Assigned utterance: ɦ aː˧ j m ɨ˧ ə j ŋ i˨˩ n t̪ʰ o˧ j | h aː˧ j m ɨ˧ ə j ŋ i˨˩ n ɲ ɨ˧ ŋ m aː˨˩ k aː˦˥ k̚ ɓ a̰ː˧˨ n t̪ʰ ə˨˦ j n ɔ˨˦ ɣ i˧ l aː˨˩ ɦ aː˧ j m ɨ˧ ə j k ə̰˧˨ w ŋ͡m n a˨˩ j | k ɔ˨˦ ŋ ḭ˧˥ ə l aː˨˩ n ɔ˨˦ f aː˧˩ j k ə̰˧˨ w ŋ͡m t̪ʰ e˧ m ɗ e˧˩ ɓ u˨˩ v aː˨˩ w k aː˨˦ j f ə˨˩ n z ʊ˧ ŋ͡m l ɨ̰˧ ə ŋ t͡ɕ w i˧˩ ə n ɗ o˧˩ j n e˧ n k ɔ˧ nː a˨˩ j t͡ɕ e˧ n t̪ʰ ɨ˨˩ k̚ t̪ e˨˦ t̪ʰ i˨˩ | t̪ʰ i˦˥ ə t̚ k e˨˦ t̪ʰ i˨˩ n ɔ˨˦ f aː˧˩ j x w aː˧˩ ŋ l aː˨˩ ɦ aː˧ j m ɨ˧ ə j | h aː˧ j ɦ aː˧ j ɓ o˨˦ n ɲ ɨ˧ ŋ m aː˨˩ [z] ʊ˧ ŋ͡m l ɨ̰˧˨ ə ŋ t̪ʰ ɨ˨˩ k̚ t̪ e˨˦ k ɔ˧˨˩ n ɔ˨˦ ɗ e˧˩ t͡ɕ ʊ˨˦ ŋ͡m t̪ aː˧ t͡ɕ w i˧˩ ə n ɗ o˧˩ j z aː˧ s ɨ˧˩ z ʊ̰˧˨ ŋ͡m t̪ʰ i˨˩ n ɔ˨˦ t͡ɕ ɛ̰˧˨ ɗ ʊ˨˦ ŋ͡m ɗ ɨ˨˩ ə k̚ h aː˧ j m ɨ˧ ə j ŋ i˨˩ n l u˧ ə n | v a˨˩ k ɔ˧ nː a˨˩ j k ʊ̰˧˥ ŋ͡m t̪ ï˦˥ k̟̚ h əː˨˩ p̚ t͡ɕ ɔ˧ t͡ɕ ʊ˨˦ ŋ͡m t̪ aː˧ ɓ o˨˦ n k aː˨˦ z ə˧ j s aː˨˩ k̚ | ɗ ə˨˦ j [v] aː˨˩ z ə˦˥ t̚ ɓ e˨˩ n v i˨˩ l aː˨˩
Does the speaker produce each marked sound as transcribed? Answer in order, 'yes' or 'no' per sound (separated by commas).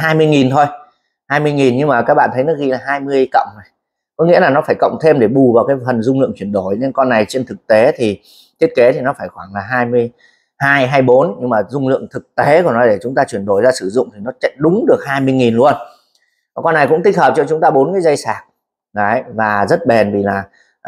yes, yes